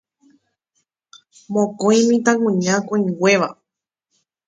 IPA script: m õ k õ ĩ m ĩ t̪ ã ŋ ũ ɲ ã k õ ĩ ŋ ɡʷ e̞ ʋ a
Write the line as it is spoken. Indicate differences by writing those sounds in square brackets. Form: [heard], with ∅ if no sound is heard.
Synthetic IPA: m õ k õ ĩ m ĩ t̪ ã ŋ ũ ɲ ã k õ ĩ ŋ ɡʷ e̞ ʋ a